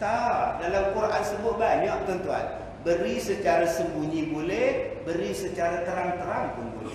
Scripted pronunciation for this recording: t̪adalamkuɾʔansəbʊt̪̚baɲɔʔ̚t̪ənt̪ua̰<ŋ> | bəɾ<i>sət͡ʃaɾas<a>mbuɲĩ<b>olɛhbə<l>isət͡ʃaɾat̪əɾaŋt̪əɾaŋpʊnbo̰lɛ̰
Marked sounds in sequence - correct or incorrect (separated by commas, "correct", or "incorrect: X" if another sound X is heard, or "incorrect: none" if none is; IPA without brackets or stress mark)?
incorrect: n, correct, incorrect: ə, correct, incorrect: ɾ